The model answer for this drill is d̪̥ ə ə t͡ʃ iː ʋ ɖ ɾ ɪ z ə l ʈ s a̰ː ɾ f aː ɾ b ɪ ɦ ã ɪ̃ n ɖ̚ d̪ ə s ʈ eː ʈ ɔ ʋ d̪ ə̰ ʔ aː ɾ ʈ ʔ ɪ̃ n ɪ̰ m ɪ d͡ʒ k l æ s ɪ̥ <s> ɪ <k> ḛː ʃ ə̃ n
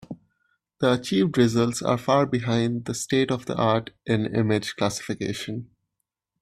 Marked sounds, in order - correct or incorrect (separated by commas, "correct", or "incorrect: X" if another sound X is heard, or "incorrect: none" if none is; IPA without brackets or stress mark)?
incorrect: f, correct